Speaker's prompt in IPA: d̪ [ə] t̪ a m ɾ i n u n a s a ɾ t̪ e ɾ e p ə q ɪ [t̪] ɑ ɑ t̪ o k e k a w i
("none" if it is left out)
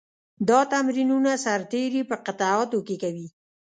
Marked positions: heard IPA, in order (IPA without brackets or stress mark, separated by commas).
ɑ, t̪